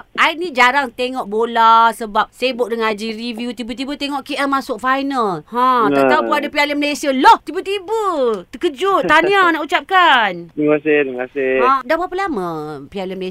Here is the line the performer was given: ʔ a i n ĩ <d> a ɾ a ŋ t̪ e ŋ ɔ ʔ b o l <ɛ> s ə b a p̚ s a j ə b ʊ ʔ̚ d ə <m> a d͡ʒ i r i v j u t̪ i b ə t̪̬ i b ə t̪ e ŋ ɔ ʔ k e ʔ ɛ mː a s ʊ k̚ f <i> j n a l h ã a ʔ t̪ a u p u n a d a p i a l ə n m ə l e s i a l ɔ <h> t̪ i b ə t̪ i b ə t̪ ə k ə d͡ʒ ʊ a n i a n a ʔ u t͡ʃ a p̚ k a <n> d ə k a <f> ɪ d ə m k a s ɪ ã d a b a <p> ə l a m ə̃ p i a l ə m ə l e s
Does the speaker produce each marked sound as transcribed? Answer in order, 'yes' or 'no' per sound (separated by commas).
no, no, no, no, yes, yes, no, yes